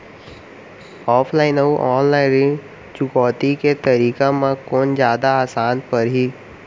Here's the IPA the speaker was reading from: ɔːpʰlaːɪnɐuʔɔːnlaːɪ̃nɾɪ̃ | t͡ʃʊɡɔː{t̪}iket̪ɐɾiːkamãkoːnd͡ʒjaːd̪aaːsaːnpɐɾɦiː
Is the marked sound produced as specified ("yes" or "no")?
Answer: yes